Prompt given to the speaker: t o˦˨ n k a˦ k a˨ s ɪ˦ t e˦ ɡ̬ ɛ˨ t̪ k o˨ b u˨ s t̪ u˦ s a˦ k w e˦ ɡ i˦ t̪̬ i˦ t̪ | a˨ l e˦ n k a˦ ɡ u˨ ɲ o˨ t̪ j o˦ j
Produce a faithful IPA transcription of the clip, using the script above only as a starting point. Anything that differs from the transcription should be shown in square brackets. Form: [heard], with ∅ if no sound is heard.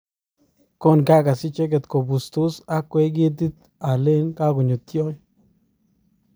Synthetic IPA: [k] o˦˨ n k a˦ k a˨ s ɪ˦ [t͡ʃ] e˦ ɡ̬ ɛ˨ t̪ k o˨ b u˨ s t̪ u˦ s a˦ k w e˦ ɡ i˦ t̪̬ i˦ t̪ | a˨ l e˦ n k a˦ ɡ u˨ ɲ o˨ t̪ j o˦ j